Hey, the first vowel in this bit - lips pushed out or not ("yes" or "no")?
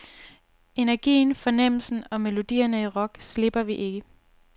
no